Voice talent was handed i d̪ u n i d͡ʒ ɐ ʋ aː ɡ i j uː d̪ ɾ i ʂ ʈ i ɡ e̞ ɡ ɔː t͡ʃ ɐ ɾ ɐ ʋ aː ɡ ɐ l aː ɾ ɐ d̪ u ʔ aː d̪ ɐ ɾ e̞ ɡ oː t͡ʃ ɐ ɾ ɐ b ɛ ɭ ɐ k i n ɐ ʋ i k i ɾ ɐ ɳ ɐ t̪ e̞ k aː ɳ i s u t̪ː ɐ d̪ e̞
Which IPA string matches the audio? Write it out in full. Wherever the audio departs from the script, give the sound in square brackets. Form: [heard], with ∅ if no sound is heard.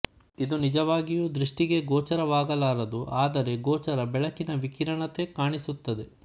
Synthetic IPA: i d̪ u n i d͡ʒ ɐ ʋ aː ɡ i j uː d̪ ɾ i ʂ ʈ i ɡ e̞ ɡ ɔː t͡ʃ ɐ ɾ ɐ ʋ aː ɡ ɐ l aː ɾ ɐ d̪ u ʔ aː d̪ ɐ ɾ e̞ ɡ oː t͡ʃ ɐ ɾ ɐ b ɛ ɭ ɐ k i n ɐ ʋ i k i ɾ ɐ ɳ ɐ t̪ e̞ k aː ɳ i s u t̪ː ɐ d̪ e̞